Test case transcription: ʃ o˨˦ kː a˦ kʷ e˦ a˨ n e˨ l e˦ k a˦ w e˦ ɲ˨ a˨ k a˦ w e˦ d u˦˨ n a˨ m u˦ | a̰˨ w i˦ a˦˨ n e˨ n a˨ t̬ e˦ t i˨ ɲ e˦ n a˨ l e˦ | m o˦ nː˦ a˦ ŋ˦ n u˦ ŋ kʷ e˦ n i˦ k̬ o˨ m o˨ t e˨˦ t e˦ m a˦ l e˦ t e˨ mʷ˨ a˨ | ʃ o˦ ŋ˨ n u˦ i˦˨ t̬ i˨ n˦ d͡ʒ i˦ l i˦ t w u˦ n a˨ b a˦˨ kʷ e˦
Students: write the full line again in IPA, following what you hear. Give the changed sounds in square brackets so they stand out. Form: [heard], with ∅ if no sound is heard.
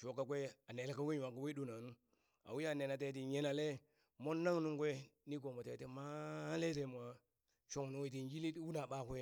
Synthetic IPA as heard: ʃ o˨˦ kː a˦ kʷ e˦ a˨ n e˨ l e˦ k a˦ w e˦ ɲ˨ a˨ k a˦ w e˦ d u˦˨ n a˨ [n] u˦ | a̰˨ w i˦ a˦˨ n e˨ n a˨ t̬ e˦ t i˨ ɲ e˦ n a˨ l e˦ | m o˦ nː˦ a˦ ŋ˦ n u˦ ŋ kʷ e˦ n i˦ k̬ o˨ m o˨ t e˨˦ t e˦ m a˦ l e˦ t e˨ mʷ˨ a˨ | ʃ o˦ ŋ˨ n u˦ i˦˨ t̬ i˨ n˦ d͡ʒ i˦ l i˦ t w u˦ n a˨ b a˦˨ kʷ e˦

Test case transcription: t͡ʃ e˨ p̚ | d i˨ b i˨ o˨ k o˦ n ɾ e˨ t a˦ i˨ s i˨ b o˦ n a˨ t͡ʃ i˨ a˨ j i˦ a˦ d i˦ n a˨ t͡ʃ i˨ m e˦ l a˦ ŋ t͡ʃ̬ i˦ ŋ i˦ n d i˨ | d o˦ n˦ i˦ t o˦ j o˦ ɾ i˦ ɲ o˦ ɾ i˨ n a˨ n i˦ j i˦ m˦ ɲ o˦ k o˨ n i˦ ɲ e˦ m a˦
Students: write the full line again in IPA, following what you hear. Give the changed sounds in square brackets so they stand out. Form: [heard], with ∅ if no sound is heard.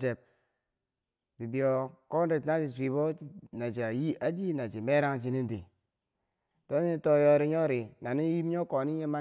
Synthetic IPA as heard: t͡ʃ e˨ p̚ | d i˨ b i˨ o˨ k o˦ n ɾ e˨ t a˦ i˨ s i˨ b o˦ n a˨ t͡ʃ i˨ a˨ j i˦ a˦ [d͡ʒ] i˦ n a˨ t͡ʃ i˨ m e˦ [ɾ] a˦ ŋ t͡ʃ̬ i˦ [n] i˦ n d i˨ | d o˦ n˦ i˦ t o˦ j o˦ ɾ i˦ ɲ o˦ ɾ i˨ n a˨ n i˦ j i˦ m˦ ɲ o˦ k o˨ n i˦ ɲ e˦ m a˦

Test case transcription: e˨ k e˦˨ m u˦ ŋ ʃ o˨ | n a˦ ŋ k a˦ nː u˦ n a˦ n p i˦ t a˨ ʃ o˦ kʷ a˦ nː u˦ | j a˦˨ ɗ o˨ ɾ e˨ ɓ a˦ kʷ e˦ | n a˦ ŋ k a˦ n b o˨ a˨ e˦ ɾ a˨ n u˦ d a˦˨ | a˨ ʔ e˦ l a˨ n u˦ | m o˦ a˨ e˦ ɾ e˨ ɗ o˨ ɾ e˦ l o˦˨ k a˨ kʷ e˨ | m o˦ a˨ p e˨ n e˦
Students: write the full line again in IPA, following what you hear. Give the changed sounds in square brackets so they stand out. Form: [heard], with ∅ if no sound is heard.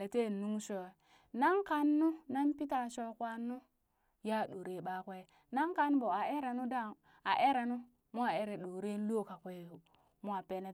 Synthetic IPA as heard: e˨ [t] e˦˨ [n] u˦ ŋ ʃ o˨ | n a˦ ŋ k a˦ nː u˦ n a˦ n p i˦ t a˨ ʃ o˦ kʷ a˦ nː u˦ | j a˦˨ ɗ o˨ ɾ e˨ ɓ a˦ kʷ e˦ | n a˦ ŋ k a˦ n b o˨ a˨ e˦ ɾ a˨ n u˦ d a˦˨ | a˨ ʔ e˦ [ɾ] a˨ n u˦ | m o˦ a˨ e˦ ɾ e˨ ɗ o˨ ɾ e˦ l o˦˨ k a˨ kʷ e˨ | m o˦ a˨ p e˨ n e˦

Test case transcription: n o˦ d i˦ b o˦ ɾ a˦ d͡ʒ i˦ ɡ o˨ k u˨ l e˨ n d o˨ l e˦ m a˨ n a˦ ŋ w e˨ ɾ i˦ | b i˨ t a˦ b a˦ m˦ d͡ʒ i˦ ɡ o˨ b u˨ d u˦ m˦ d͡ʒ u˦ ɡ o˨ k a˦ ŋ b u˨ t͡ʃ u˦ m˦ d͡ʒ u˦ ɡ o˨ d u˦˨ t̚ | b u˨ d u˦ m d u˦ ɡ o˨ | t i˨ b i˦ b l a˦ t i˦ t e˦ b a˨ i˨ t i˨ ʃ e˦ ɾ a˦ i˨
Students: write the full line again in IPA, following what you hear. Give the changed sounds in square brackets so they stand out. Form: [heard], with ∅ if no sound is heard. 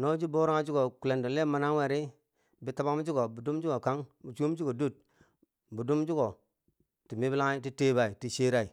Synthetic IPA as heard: n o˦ [d͡ʒ] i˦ b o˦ ɾ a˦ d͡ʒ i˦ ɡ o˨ k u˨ l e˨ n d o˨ l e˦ m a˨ n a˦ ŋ w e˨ ɾ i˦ | b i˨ t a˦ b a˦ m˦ d͡ʒ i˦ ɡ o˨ b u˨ d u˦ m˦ d͡ʒ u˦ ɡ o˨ k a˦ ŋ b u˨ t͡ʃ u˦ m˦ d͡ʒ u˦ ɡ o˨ d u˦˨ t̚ | b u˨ d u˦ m [d͡ʒ] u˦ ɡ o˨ | t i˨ [m] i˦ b l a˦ t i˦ t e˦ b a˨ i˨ t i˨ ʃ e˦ ɾ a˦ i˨

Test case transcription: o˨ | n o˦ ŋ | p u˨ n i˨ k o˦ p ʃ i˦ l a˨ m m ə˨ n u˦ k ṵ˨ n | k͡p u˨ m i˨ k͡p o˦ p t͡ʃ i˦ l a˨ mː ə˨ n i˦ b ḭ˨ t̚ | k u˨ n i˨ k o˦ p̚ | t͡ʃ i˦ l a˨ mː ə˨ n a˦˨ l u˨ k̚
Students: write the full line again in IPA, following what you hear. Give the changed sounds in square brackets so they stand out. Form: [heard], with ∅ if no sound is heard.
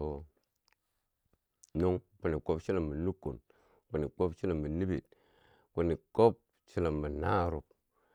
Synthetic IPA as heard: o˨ | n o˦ ŋ | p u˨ n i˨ k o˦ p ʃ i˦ l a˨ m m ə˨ n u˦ k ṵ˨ n | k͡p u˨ [n] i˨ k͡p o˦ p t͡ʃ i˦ l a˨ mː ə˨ n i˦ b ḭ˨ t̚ | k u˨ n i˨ k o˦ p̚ | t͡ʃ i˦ l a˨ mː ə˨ n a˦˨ [ɾ] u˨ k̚

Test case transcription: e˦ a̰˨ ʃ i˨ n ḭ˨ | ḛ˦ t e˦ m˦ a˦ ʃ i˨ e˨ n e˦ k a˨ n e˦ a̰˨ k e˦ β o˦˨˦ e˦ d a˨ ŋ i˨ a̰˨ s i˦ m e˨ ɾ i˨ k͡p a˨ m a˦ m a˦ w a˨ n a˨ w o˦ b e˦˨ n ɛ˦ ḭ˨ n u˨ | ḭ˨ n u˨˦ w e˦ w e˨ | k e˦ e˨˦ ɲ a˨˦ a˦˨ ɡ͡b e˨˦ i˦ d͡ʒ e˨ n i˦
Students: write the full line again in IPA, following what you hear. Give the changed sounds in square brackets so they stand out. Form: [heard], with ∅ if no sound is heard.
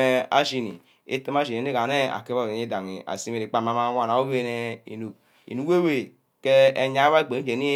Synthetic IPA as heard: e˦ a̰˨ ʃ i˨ n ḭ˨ | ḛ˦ t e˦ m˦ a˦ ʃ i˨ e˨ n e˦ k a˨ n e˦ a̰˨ k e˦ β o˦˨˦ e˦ d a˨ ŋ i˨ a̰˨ s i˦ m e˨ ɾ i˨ k͡p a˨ m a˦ m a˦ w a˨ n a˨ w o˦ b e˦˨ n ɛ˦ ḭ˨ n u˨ | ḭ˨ n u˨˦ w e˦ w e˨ | k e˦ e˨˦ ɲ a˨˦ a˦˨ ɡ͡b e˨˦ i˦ d͡ʒ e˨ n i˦

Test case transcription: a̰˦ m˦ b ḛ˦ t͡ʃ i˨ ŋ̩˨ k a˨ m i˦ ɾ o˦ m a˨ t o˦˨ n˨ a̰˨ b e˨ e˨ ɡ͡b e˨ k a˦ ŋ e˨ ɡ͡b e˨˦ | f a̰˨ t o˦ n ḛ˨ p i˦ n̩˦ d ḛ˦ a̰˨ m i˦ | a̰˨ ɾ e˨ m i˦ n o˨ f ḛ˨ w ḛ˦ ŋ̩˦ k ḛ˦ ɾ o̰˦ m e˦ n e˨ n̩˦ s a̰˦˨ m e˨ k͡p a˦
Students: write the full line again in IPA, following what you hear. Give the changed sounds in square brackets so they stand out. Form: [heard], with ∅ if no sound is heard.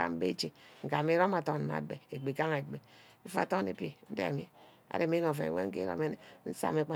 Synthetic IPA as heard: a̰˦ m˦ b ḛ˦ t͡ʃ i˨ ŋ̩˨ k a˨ m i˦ ɾ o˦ m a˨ t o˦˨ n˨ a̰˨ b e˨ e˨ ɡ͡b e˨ k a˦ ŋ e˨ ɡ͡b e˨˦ | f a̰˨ t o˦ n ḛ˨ p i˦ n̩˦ d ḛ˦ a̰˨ m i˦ | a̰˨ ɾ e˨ m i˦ n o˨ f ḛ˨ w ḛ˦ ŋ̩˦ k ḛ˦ ɾ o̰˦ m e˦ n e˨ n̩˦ s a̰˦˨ m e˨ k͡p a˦

